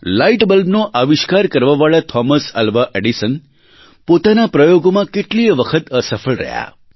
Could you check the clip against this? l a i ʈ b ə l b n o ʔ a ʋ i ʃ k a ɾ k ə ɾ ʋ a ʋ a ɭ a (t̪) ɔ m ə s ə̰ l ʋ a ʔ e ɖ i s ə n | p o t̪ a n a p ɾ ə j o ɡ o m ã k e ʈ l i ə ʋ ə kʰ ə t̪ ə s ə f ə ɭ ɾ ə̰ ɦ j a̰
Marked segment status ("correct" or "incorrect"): incorrect